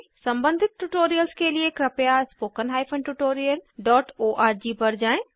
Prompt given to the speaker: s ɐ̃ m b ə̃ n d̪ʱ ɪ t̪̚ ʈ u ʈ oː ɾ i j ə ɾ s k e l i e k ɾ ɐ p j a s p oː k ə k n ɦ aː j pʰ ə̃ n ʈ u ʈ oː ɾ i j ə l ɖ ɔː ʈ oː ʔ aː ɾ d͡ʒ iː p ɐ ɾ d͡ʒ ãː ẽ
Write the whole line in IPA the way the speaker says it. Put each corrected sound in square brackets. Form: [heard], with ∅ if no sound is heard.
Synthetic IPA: s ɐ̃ m b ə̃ n d̪ʱ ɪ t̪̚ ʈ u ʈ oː ɾ i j ə [l] s k e l i e k ɾ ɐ p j a s p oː k ə [∅] n ɦ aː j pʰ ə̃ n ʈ u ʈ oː ɾ i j ə l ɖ ɔː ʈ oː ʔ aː ɾ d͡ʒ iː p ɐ ɾ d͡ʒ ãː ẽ